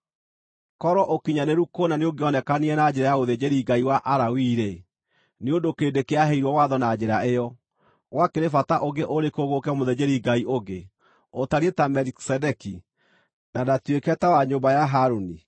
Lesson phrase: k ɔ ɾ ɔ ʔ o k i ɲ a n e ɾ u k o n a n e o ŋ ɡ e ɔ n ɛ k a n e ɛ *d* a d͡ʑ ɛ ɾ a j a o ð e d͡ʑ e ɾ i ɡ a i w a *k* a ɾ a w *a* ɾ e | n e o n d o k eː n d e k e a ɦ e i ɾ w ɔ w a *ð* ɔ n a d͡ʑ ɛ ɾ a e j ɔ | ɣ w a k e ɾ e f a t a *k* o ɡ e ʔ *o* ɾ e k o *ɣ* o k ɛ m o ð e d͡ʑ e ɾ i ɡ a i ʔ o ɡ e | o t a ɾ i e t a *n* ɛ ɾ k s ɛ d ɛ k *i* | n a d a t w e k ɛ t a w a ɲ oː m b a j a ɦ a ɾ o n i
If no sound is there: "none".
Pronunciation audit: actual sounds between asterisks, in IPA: n, ʔ, i, ð, ʔ, o, ɣ, m, i

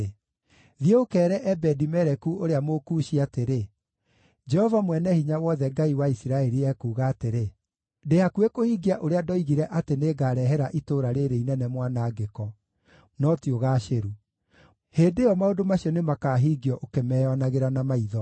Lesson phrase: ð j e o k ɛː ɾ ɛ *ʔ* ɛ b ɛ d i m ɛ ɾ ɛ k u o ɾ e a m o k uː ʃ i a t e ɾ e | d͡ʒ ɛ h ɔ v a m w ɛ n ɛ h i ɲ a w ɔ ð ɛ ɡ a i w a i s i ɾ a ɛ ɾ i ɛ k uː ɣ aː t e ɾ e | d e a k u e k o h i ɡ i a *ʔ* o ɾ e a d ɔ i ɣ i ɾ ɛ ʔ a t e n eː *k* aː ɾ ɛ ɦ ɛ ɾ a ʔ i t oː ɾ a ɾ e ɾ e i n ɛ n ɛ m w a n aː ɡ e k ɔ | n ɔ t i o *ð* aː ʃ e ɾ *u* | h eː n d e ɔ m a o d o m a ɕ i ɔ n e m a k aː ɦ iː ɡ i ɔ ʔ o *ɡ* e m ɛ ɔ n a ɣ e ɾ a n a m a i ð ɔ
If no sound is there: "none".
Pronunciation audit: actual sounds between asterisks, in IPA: ʔ, ʔ, ɡ, ɣ, u, k

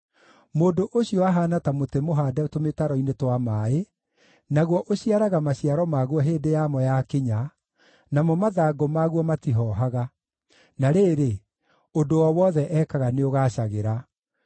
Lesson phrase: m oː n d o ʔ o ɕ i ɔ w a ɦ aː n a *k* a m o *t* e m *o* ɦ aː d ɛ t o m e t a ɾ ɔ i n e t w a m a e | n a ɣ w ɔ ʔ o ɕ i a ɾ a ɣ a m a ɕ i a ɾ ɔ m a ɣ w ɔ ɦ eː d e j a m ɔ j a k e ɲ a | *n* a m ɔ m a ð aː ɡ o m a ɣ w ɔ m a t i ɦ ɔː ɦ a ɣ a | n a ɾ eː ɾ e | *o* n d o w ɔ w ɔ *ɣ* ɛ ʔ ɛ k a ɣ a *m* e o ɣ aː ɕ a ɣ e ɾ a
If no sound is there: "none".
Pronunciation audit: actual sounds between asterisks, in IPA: t, t, o, n, o, ð, n

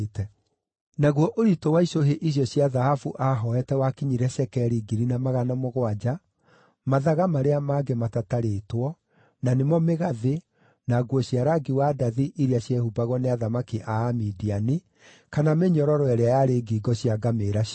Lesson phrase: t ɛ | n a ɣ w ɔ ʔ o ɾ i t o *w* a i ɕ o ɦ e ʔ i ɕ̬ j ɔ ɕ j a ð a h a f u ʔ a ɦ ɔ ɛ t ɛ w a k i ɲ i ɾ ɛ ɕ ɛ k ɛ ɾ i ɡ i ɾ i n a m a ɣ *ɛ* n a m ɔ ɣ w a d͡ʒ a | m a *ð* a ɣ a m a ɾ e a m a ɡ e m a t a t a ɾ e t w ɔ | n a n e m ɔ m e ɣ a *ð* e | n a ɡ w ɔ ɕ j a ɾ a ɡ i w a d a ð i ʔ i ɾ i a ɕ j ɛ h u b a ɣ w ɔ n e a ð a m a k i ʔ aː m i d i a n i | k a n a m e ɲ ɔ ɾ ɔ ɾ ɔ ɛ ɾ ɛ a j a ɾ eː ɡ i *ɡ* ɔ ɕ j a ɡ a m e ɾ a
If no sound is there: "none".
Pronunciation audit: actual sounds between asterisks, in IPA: w, a, ð, ð, ɡ

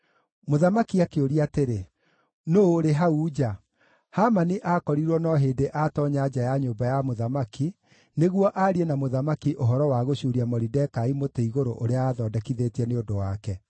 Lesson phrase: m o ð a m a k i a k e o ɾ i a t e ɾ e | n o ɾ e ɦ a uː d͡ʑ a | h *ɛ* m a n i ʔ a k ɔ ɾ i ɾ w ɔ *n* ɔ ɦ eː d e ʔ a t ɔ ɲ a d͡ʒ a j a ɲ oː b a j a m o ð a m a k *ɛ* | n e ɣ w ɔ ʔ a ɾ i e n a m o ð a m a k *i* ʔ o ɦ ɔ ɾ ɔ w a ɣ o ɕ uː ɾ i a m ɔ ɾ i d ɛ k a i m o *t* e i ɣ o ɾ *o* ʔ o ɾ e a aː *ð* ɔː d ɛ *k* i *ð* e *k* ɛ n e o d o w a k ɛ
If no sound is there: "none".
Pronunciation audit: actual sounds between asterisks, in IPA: a, n, i, i, t, o, ð, k, ð, t

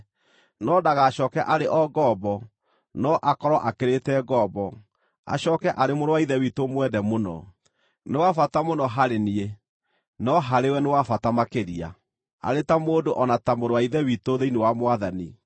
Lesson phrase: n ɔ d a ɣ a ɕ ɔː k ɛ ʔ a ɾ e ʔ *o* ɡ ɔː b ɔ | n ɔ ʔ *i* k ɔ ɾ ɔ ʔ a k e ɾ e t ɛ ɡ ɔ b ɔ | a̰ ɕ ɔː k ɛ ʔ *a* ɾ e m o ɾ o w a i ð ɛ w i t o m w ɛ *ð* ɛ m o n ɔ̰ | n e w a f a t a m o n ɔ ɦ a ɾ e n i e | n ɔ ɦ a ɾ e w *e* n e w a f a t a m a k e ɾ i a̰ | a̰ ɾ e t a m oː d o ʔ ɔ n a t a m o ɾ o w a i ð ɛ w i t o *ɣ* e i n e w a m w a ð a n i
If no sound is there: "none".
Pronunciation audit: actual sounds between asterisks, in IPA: ɔ, a, a, ð, ɛ, ð

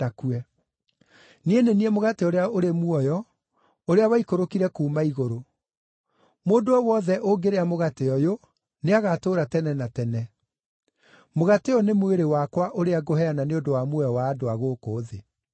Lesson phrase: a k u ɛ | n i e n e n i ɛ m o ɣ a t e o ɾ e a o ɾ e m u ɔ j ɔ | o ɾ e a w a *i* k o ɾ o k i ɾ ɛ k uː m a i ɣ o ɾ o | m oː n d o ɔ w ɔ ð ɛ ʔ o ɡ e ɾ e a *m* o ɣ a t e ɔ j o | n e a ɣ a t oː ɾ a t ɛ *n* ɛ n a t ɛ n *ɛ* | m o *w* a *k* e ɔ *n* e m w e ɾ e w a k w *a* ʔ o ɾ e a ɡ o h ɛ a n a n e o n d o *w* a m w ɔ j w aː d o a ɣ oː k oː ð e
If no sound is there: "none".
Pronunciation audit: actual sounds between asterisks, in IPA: i, m, n, ɛ, ɣ, t, n, a, w

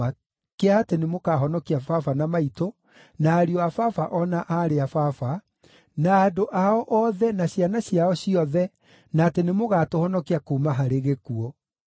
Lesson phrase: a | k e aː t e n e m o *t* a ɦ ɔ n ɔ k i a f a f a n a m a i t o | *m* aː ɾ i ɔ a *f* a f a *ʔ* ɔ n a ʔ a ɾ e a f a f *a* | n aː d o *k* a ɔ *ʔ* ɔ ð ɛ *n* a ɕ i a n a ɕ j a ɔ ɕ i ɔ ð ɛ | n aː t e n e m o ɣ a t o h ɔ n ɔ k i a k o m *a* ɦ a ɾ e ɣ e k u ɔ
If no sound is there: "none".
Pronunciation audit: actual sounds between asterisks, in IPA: k, n, f, ʔ, a, ʔ, ʔ, n, a

